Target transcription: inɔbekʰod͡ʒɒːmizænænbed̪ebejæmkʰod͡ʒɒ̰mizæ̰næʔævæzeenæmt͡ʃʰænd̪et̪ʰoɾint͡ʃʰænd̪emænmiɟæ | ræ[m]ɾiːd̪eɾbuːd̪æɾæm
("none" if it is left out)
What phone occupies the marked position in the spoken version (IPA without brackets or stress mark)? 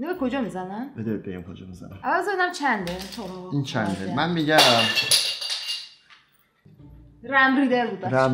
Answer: m